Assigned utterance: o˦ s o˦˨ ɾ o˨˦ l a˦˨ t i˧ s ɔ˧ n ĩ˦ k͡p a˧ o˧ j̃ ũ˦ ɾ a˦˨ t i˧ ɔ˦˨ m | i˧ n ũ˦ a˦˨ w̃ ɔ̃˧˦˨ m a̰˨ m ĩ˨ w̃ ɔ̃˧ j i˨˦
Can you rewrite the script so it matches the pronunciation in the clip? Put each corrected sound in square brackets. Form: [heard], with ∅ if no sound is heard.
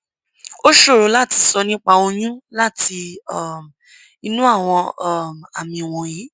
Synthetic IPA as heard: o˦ [ʃ] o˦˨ ɾ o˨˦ l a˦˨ t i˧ s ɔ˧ n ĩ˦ k͡p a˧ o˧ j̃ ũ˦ [l] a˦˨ t i˧ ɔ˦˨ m | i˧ n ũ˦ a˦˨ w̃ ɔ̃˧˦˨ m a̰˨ m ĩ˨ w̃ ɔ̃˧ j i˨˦